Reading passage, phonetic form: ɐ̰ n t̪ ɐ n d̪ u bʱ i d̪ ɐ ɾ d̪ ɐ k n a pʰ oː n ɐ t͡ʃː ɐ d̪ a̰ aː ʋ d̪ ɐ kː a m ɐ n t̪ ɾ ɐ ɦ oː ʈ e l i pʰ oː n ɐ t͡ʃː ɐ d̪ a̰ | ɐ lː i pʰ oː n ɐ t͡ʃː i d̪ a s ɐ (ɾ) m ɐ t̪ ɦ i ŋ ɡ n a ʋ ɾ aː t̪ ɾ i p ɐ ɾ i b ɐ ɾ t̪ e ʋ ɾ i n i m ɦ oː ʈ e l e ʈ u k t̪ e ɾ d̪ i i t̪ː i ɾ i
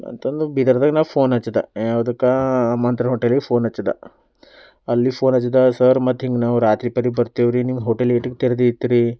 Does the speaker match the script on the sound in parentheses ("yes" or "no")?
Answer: yes